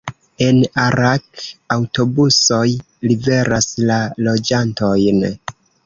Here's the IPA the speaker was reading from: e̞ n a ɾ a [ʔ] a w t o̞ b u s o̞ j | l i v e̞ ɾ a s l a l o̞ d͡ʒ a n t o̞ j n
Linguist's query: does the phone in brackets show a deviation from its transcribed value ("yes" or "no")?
yes